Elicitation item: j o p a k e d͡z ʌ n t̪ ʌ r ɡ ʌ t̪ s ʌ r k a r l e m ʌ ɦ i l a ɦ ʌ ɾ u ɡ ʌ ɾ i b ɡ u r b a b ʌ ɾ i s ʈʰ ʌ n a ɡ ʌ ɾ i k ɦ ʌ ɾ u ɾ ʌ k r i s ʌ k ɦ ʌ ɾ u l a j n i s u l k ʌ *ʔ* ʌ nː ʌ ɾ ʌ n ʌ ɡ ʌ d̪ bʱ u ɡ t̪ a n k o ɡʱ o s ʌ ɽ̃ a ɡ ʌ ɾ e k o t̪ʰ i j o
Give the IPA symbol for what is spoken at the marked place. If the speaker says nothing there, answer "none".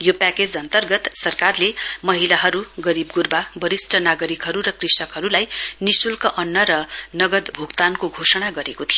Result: ʔ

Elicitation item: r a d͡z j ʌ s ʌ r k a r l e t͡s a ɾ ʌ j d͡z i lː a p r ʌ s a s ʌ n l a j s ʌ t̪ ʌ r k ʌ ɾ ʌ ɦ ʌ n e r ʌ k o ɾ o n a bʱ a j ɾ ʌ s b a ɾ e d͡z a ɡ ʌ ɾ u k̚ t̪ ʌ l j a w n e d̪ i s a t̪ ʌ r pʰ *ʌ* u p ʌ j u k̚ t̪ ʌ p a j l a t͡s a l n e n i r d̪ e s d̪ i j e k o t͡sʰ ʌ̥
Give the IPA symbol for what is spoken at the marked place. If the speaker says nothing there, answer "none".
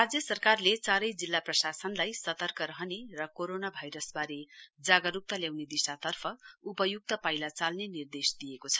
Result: ʌ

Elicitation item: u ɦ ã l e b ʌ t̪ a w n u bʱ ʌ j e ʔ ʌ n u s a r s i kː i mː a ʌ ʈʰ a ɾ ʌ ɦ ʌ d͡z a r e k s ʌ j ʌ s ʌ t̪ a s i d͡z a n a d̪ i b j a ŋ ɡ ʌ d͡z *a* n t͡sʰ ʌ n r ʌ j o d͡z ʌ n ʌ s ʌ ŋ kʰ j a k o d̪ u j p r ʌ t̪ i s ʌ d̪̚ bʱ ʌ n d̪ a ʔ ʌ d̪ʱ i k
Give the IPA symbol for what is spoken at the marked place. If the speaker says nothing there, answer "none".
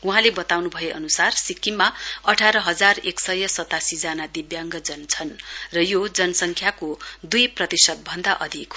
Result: ʌ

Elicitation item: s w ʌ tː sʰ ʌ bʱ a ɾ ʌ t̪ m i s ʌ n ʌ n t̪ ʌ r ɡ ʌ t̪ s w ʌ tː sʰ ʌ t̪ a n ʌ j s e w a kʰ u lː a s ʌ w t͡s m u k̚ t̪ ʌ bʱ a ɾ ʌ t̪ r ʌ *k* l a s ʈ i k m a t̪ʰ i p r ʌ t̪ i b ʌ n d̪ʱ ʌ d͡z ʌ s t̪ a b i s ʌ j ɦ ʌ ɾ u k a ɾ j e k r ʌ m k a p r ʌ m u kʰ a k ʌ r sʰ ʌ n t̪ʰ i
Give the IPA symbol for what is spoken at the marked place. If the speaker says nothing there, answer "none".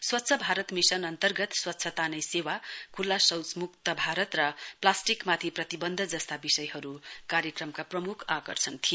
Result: p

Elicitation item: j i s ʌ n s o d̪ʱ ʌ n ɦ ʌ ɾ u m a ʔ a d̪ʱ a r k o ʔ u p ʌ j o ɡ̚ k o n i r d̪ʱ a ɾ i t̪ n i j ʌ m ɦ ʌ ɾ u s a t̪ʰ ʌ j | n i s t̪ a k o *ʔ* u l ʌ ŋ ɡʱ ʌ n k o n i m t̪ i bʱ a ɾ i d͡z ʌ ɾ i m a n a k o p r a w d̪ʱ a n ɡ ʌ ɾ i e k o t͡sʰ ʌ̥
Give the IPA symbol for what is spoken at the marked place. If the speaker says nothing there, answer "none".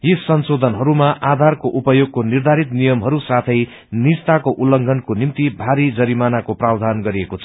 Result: ʔ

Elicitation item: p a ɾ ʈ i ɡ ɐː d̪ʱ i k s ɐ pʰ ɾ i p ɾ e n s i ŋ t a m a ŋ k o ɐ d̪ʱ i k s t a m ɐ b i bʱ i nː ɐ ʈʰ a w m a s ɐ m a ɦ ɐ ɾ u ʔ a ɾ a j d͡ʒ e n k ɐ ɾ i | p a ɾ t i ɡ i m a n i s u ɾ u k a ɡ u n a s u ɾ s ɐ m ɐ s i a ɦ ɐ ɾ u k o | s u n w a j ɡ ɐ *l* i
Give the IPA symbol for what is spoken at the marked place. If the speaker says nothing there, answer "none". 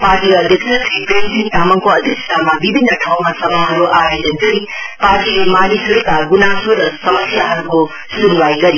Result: ɾ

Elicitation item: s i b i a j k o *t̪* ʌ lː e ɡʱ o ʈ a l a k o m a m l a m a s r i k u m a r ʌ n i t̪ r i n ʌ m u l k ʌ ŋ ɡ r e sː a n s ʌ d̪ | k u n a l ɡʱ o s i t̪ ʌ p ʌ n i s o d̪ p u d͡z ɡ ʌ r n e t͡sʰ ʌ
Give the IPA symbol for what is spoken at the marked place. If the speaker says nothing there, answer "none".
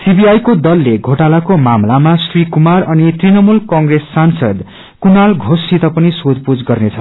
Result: d̪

